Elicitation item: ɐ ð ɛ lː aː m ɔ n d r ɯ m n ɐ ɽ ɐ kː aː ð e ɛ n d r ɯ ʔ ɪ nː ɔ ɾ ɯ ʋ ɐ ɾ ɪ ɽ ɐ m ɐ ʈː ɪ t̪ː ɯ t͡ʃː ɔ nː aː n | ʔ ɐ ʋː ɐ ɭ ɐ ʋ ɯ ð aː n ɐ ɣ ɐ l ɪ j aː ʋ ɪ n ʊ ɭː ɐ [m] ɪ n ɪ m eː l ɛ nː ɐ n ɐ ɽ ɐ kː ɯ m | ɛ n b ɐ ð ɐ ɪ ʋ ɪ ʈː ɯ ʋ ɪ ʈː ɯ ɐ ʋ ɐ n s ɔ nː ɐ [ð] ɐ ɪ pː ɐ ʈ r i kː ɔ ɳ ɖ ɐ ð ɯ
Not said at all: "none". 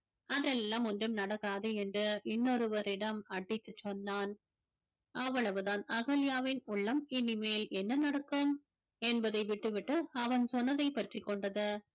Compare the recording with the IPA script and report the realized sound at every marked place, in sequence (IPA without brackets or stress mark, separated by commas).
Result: m, ð